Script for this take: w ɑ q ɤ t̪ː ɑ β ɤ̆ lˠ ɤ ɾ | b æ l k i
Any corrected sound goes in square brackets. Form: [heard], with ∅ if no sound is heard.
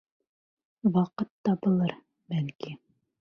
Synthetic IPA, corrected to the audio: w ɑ q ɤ t̪ː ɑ [b] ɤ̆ lˠ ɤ ɾ | b æ l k i